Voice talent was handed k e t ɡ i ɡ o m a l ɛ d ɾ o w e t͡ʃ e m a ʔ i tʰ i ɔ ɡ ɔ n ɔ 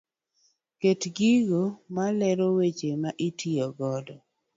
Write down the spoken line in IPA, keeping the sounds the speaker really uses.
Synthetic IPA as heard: k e t ɡ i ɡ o m a l ɛ ɾ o w e t͡ʃ e m a ʔ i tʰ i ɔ ɡ ɔ d ɔ